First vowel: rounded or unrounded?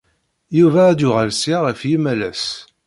rounded